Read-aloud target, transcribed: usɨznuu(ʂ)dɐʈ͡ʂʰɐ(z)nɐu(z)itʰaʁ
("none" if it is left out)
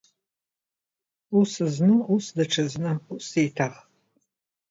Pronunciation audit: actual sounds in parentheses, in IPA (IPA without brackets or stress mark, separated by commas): s, z, s